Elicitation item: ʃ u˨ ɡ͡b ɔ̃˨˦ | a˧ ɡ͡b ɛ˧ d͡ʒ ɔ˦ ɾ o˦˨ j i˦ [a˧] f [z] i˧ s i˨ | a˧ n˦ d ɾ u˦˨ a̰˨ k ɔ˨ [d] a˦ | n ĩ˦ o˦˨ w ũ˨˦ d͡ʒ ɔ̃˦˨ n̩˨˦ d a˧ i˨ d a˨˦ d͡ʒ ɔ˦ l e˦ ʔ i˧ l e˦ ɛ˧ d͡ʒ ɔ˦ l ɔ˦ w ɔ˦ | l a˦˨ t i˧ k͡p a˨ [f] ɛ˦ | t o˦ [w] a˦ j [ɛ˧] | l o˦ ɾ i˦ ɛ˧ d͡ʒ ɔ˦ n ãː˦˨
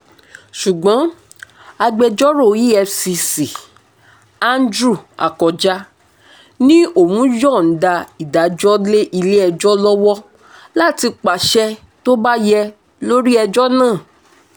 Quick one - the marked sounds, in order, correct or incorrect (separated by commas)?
incorrect, incorrect, incorrect, incorrect, incorrect, correct